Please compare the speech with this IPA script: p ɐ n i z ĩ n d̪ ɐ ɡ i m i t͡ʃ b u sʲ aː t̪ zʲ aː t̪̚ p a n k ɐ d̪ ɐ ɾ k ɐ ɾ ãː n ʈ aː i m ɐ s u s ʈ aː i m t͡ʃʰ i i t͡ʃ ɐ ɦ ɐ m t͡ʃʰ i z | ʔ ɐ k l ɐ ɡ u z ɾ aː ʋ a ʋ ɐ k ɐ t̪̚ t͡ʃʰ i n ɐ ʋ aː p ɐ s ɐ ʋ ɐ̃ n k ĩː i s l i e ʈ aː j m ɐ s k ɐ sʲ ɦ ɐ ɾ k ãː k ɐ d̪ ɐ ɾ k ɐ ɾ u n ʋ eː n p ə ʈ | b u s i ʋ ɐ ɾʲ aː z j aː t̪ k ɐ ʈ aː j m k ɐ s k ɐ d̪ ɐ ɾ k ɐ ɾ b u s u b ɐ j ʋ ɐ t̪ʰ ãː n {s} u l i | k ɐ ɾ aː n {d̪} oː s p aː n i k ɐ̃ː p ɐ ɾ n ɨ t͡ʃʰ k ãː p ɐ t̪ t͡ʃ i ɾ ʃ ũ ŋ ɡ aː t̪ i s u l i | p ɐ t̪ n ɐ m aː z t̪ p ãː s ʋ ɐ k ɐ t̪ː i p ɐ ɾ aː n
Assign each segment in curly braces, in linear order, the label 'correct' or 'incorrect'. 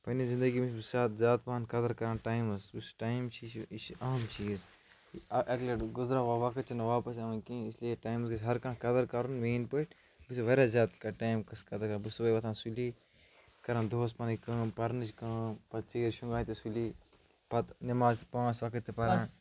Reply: correct, correct

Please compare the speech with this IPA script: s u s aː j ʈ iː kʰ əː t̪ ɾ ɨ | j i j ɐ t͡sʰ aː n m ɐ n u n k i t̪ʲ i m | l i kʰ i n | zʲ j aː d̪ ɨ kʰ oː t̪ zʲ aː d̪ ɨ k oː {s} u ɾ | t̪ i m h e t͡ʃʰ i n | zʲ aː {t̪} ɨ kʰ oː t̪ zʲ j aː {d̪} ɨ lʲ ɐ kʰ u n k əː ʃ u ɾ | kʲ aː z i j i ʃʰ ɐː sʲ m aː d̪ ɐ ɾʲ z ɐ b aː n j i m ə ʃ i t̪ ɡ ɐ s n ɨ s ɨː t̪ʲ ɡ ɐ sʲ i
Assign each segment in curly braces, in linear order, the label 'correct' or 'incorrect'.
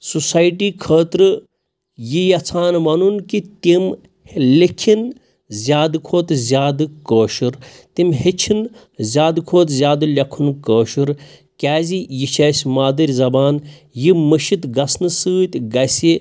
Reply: incorrect: ʃ, incorrect: d̪, correct

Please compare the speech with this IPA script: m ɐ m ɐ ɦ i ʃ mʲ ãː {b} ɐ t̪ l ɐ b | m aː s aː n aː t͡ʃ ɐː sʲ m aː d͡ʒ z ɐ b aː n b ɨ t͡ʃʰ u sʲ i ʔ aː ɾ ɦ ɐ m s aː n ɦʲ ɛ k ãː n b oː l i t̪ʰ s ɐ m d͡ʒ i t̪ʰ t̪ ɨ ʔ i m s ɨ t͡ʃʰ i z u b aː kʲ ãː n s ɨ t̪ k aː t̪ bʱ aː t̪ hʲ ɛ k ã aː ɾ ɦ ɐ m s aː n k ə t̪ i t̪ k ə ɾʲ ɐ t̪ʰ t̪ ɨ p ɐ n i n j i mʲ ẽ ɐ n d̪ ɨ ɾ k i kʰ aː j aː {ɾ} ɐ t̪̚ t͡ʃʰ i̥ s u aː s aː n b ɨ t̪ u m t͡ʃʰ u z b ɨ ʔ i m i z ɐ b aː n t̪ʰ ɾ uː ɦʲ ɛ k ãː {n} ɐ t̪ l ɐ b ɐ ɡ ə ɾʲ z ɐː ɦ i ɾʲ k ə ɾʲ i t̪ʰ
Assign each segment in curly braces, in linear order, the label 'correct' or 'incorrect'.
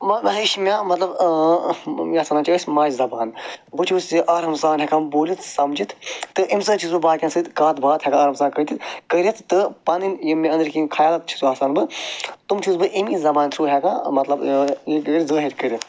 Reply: incorrect: m, incorrect: l, incorrect: m

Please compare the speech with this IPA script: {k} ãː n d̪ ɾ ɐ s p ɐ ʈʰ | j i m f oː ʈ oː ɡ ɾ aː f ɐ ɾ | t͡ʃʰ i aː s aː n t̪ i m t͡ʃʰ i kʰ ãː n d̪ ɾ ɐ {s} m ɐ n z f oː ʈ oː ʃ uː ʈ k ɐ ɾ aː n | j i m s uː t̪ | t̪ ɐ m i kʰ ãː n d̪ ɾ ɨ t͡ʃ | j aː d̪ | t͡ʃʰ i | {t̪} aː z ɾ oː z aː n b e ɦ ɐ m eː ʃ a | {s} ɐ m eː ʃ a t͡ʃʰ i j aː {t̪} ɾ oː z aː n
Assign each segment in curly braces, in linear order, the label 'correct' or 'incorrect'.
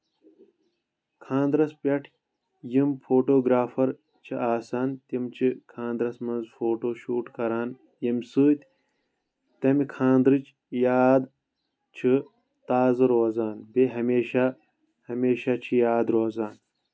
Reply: incorrect: kʰ, correct, correct, incorrect: h, incorrect: d̪

